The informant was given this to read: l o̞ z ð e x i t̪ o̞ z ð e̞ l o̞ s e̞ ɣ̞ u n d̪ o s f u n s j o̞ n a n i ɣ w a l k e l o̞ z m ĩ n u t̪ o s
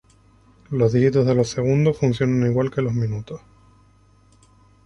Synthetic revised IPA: l o̞ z ð i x i t̪ o̞ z ð e̞ l o̞ s e̞ ɣ̞ u n d̪ o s f u n s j o̞ n a n i ɣ w a l k e l o̞ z m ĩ n u t̪ o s